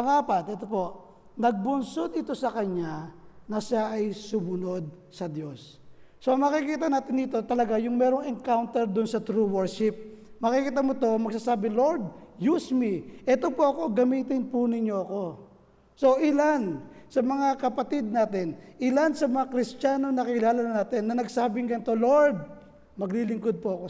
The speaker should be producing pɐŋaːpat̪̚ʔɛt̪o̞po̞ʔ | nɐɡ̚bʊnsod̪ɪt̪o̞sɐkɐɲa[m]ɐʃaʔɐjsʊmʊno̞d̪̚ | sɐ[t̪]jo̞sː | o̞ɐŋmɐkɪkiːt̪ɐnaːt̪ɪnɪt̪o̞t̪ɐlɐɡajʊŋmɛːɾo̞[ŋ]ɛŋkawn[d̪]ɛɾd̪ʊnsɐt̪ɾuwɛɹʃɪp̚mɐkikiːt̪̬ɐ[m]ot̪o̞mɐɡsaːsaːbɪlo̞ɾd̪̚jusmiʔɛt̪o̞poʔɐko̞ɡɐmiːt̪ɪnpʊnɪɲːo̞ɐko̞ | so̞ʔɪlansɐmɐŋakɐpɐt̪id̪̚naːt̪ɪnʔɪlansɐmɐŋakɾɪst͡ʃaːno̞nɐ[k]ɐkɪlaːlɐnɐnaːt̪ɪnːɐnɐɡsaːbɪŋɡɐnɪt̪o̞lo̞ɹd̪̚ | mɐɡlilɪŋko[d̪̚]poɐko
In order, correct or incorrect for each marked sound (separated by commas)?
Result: incorrect, incorrect, correct, incorrect, correct, correct, correct